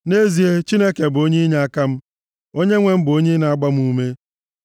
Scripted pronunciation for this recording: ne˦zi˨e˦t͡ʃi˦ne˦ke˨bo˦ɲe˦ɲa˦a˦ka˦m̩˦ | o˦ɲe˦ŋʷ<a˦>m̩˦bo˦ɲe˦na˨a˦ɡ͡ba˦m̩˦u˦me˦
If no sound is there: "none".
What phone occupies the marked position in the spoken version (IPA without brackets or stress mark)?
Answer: e˦